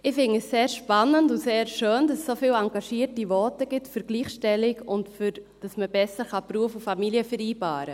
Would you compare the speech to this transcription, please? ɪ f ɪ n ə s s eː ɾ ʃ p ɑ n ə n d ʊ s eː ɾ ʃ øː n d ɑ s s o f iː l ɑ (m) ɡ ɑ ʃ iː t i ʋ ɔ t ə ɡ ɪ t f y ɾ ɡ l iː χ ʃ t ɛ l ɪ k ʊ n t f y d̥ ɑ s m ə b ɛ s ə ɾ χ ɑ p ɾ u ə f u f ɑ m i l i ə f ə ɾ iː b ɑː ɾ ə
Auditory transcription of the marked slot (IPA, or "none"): ŋ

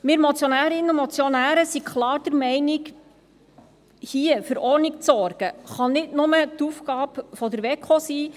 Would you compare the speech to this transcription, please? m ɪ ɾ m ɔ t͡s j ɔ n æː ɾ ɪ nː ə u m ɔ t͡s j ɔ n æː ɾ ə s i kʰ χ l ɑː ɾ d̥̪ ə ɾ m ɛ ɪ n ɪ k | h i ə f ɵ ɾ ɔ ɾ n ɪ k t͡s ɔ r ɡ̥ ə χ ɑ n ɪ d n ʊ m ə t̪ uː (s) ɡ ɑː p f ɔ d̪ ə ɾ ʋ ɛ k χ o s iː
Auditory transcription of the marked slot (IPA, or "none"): f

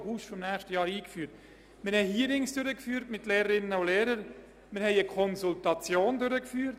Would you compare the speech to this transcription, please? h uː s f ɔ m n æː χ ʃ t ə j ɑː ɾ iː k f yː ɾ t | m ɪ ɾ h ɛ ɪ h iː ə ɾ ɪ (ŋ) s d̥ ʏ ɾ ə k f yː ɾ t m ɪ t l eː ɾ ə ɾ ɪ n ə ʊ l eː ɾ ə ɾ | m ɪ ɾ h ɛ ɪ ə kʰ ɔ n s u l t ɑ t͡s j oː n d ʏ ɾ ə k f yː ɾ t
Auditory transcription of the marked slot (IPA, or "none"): ŋ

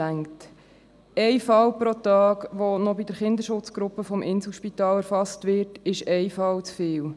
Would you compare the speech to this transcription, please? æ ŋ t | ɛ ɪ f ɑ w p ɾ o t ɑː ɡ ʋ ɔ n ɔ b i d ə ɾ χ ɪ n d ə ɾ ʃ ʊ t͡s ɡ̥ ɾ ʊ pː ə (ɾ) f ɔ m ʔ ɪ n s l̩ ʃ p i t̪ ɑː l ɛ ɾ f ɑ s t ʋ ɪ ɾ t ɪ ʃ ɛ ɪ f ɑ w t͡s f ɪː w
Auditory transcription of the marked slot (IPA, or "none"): none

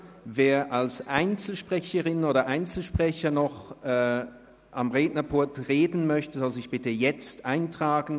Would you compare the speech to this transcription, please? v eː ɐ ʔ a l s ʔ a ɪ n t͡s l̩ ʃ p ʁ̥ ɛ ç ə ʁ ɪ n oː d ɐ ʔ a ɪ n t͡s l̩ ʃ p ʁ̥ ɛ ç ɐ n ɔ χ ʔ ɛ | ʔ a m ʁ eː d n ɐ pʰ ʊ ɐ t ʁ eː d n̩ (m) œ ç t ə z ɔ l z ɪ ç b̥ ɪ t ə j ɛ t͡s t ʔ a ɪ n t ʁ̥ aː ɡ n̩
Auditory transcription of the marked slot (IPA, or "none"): m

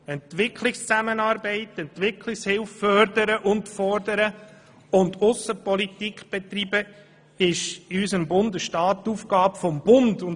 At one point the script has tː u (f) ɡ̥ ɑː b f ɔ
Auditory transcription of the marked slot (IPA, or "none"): f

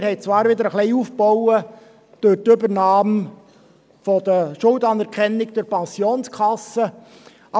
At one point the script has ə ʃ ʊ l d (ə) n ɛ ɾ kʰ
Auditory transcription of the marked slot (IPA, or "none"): ɑ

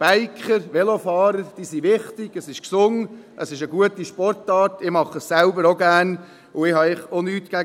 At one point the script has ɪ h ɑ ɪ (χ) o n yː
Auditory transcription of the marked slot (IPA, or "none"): χ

